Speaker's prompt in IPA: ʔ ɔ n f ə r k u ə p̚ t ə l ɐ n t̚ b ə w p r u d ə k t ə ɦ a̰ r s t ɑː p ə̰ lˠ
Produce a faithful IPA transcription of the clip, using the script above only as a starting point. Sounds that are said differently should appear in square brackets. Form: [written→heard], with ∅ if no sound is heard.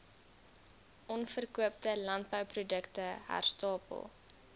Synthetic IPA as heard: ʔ ɔ n f ə r k u ə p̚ t ə l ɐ n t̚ b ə w p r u d ə k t ə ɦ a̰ r s t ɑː p ə̰ lˠ